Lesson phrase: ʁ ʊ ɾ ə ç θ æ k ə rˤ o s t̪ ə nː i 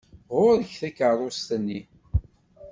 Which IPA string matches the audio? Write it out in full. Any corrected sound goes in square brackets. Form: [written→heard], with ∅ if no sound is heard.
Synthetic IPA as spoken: ʁ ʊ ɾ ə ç θ æ k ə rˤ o s t̪ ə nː i